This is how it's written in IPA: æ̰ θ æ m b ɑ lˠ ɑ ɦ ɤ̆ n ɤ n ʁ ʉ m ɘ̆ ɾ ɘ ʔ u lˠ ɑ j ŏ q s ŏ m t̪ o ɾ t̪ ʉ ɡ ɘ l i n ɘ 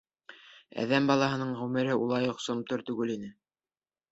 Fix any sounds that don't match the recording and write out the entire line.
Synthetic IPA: æ̰ ð æ m b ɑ lˠ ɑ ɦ ɤ̆ n ɤ ɴ ʁ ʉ m ɘ̆ ɾ ɘ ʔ u lˠ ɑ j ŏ q s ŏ m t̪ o ɾ t̪ ʉ ɡ ɘ l i n ɘ